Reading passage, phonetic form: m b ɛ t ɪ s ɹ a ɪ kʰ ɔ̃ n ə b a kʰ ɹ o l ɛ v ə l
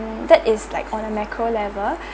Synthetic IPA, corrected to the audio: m d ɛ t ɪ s l a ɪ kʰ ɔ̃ n ə m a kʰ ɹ o l ɛ v ə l